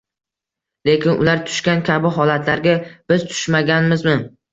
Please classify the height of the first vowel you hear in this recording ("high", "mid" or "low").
mid